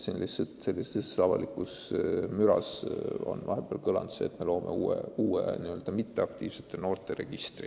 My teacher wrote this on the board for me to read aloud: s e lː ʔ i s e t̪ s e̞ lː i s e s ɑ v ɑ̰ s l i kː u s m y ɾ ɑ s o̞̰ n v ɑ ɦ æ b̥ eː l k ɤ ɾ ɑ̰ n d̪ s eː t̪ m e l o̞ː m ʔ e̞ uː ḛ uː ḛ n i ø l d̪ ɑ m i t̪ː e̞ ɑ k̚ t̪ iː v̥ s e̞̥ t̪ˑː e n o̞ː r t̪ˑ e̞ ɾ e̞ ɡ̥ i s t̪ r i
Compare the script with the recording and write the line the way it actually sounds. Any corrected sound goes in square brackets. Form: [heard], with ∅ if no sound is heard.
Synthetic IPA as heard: s e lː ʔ i s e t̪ s e̞ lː i s e s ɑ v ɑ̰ [∅] l i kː u s m y ɾ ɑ s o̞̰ n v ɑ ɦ [e] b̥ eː l k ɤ [l] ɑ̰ n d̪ s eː t̪ m e l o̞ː m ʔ e̞ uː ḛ uː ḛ n i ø l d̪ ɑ m i t̪ː e̞ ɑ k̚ t̪ iː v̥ s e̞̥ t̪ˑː e n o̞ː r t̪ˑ e̞ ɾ e̞ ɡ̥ i s t̪ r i